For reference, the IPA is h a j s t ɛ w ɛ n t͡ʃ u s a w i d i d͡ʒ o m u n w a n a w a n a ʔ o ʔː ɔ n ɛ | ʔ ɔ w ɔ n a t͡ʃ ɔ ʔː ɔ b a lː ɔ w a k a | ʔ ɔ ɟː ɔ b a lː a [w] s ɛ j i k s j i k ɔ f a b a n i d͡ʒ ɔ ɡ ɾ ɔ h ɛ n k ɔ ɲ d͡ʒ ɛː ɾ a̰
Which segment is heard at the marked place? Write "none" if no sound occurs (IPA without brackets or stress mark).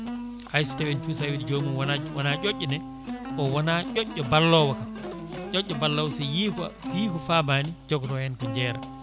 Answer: w